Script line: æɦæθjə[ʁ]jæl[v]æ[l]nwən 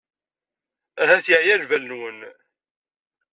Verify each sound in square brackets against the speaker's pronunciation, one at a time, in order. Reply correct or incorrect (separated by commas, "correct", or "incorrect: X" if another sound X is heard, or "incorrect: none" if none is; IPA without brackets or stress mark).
incorrect: ʕ, correct, correct